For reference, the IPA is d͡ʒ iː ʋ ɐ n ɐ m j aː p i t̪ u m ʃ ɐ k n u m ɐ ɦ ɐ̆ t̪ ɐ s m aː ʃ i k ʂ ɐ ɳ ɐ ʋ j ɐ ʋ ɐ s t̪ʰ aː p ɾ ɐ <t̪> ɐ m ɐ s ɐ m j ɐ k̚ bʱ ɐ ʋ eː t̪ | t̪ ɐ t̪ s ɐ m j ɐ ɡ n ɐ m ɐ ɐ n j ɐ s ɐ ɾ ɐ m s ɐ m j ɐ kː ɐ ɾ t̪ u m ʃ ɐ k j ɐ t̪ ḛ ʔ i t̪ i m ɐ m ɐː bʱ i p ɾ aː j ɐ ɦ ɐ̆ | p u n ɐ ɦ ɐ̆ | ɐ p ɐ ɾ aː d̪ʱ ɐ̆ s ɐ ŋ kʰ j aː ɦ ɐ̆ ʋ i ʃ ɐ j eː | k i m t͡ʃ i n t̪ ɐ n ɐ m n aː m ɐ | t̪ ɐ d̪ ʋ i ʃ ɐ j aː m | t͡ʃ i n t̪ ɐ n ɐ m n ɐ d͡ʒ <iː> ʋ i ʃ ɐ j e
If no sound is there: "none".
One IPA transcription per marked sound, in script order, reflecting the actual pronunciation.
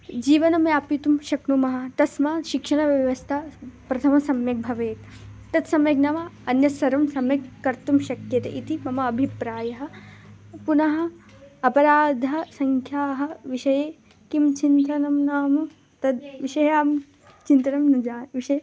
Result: t̪ʰ, aː

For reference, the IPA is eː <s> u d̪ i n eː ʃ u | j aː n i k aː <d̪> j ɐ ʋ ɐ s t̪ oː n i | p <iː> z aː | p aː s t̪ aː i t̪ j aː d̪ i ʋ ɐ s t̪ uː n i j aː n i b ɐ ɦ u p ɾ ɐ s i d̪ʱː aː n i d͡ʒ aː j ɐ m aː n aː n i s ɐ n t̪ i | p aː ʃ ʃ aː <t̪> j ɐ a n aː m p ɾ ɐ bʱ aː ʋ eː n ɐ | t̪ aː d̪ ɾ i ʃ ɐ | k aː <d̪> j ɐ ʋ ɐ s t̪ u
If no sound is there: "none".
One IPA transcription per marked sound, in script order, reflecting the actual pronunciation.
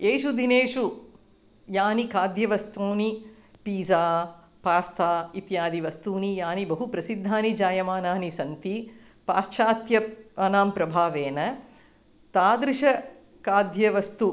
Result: ʃ, d̪, iː, t̪, d̪

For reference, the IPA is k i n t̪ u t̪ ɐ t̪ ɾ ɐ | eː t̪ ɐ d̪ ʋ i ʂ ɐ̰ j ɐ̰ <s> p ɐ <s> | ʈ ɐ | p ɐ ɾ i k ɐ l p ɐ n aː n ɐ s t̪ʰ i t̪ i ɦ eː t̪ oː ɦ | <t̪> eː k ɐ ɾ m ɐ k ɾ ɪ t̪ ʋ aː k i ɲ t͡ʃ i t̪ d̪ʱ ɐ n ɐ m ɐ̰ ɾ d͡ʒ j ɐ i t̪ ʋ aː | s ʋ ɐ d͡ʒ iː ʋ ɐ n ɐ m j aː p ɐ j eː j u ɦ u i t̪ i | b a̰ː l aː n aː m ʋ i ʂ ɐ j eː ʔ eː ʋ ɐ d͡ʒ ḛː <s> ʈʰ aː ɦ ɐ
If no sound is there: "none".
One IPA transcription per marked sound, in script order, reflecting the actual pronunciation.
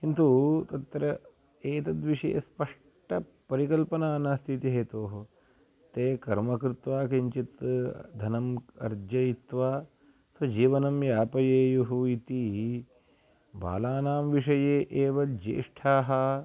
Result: s, ʂ, t̪, ʂ

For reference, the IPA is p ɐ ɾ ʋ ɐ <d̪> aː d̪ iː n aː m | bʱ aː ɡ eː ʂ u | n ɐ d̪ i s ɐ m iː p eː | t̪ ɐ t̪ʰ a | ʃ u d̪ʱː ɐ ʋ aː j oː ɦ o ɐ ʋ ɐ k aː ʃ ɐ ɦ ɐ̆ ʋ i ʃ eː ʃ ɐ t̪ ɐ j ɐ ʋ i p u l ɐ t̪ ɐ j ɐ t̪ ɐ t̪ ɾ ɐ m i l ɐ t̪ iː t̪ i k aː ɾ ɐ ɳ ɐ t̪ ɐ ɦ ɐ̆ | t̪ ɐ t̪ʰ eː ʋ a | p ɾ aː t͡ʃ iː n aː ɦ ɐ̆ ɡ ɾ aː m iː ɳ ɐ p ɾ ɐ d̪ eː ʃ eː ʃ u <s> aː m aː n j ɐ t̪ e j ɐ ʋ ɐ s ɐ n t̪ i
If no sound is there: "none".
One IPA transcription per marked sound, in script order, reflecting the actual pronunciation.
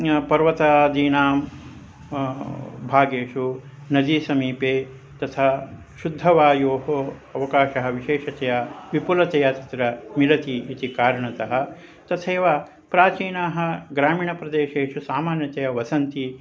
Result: t̪, s

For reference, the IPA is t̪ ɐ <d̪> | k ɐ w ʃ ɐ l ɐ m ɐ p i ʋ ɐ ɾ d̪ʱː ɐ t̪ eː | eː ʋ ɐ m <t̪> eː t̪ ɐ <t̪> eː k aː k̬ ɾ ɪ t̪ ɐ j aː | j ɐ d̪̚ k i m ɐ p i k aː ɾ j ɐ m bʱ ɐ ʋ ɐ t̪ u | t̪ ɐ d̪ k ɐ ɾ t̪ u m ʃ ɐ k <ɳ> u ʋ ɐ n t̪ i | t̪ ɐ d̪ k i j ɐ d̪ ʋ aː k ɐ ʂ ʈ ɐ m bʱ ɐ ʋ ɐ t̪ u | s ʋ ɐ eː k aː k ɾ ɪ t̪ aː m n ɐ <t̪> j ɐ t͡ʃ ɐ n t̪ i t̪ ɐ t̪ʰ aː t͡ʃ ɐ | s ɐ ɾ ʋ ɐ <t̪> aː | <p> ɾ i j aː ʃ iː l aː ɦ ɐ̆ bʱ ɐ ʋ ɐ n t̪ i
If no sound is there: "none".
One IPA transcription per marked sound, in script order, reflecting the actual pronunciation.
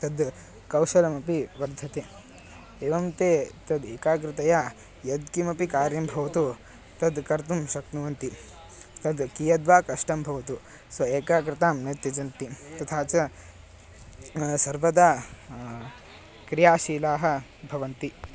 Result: d̪, t̪, d̪, n, t̪, d̪, k

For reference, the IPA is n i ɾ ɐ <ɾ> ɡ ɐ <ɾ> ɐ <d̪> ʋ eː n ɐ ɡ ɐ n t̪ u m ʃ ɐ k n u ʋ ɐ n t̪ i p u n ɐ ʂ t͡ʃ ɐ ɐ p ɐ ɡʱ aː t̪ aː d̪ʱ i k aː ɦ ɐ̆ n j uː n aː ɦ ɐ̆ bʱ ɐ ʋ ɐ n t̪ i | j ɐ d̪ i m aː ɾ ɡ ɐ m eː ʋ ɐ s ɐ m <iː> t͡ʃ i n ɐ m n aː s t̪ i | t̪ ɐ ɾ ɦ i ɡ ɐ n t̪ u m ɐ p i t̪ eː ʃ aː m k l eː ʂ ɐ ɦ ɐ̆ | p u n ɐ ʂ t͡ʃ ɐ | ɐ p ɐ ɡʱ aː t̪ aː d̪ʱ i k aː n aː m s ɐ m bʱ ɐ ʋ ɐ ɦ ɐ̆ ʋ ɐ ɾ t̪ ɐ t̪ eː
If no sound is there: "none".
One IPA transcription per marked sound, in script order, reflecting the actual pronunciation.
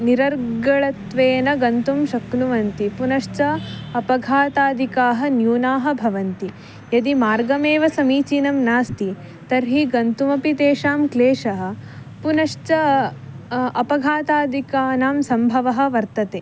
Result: ɾ, ɭ, t̪, iː

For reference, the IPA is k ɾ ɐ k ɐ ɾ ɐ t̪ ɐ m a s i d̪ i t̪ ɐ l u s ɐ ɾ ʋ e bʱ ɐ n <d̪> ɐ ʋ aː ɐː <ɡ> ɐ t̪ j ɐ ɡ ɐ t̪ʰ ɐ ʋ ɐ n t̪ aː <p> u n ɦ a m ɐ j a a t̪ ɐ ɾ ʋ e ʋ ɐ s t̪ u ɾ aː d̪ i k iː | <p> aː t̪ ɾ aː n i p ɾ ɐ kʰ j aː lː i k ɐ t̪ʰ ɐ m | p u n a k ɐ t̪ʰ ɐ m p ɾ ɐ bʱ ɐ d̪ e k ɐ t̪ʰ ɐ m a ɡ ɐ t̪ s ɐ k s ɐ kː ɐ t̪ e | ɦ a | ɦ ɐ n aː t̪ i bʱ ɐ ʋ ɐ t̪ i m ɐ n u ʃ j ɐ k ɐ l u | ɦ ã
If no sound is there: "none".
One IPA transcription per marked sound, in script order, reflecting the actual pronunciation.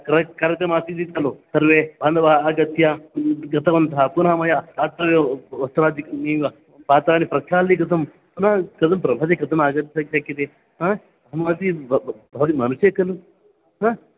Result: d̪, ɡ, p, p

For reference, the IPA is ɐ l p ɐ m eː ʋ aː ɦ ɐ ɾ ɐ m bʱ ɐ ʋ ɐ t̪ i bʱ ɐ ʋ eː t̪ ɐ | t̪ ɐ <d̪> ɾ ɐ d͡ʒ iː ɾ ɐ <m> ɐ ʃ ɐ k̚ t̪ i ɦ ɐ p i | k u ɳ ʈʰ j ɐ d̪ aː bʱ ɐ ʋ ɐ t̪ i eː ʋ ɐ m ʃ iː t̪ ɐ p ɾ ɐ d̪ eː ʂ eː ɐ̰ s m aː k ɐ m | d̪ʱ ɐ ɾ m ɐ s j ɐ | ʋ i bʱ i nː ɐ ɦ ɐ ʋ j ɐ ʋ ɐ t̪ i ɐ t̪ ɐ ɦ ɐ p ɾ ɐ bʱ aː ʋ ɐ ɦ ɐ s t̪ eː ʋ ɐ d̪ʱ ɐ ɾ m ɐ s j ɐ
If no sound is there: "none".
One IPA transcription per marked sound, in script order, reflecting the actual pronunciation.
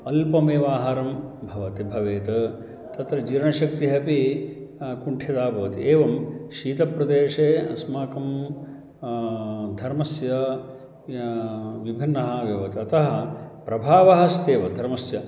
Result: t̪, ɳ

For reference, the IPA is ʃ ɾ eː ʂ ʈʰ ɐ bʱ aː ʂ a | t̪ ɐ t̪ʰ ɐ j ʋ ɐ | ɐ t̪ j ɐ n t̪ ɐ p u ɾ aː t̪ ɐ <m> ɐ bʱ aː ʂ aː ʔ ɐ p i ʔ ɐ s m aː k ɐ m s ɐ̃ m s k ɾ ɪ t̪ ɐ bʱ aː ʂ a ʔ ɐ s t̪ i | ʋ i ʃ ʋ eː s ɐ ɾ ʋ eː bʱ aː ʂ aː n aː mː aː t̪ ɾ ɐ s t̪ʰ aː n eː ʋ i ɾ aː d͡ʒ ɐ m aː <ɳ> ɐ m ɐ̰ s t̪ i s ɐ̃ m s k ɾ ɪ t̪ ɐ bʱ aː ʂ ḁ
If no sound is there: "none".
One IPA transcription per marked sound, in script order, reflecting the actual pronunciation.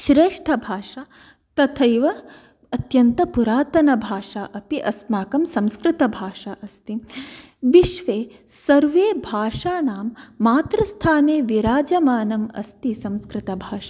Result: n, n

